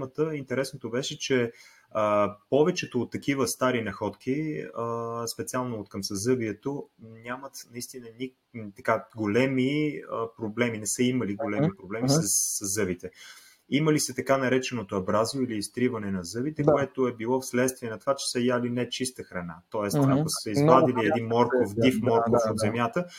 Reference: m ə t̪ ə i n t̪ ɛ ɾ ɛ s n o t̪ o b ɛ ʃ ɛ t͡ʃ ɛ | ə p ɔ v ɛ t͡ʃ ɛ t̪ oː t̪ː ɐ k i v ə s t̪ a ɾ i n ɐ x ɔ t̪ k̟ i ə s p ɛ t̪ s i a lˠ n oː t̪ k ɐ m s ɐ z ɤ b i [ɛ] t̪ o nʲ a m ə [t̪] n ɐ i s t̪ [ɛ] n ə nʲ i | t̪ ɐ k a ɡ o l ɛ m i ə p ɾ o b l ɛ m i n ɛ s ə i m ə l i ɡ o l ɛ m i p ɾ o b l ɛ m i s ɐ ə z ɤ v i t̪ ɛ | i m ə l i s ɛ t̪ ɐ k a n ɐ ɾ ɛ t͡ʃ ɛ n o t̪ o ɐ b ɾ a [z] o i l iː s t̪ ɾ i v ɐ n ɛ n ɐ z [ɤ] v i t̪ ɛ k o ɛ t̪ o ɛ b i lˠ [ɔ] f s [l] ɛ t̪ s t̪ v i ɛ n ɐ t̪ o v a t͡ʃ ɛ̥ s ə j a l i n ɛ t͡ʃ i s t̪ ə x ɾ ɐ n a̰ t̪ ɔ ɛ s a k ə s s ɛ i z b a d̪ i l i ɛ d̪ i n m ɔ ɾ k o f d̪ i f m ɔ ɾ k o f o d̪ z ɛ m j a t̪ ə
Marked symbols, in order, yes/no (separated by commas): yes, yes, no, yes, yes, yes, yes